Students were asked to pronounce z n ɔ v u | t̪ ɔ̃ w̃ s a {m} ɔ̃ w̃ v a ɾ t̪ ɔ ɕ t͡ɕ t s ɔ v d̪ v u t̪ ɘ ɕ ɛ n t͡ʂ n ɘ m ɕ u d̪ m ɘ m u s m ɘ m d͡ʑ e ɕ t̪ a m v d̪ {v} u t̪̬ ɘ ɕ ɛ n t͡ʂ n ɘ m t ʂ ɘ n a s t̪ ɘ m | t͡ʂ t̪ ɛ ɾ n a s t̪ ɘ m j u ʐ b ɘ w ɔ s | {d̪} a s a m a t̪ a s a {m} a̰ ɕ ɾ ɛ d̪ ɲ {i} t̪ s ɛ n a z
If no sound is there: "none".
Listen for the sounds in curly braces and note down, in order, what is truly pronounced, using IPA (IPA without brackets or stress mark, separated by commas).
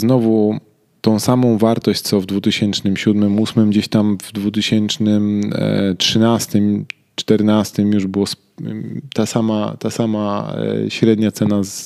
m, v, t̪, m, a